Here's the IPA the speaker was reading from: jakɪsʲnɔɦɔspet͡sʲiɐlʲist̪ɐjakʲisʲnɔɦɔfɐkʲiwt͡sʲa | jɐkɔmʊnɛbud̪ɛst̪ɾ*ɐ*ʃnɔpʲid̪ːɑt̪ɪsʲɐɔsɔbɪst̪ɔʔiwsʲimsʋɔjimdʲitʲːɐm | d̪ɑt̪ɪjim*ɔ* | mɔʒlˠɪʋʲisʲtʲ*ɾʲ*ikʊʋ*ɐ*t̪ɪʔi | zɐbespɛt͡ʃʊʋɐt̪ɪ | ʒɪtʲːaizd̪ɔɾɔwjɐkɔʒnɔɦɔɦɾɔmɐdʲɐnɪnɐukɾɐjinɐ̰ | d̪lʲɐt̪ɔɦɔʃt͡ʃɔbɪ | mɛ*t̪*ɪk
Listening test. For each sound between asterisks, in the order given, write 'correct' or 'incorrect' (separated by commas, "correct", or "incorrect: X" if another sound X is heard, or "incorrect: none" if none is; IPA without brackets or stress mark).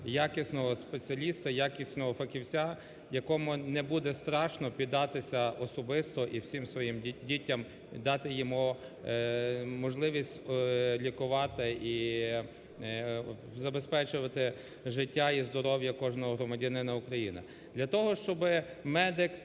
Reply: incorrect: ɑ, incorrect: u, incorrect: lʲ, incorrect: ɑ, incorrect: d̪